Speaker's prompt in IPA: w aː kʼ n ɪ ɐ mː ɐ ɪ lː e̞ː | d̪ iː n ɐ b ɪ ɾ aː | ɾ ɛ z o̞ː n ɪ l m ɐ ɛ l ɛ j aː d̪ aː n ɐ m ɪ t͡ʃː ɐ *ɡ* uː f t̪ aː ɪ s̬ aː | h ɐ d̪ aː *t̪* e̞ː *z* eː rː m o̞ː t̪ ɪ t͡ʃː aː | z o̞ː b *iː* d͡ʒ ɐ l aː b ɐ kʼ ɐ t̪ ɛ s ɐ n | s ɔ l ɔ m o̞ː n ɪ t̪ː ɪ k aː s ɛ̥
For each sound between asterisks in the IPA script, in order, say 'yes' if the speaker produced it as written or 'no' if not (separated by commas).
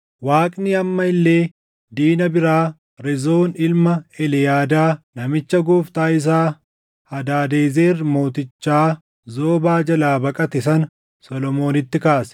yes, no, yes, no